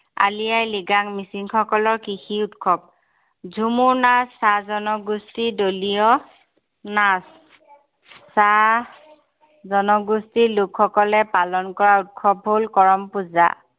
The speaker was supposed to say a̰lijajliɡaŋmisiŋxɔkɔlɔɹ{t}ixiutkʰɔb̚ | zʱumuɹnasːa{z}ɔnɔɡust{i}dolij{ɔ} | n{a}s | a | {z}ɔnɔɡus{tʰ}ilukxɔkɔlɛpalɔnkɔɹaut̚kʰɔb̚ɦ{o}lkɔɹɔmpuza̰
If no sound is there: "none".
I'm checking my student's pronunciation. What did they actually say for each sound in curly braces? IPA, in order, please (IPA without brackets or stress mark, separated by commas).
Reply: k, z, i, ɔ, a, z, t, o